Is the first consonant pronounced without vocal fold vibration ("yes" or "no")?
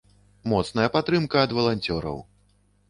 no